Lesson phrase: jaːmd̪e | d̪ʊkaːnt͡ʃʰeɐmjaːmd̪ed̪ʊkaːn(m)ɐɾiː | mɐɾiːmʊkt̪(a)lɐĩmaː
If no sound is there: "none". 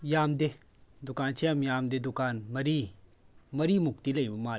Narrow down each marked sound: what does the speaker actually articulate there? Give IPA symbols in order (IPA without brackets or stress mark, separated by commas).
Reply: m, i